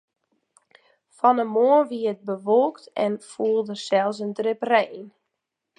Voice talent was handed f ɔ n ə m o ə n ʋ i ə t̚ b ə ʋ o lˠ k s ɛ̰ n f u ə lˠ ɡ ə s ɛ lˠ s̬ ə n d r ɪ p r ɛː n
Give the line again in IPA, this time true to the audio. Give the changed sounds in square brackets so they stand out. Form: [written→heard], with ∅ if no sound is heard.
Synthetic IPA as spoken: f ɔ n ə m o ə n ʋ i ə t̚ b ə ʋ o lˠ k [s→t] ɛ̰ n f u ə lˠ [ɡ→d] ə s ɛ lˠ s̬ ə n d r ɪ p r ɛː n